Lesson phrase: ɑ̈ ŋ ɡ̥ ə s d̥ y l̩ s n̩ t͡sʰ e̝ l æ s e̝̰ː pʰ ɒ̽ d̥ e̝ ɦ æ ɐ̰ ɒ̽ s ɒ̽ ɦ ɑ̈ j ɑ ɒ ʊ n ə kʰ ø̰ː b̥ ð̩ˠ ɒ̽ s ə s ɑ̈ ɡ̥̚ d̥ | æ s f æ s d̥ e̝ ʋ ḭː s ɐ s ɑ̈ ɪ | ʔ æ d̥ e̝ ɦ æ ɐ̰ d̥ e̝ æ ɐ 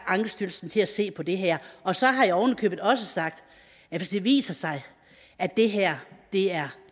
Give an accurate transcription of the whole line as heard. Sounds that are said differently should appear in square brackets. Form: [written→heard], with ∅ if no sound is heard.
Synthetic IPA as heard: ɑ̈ ŋ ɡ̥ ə s d̥ y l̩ s n̩ t͡sʰ e̝ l æ s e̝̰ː pʰ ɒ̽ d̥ e̝ ɦ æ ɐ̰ ɒ̽ s ɒ̽ ɦ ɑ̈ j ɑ ɒ ʊ n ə kʰ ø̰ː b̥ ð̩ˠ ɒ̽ s ə s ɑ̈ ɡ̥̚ d̥ | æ [s→∅] f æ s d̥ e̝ ʋ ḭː s ɐ s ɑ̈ ɪ | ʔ æ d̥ e̝ ɦ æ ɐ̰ d̥ e̝ æ ɐ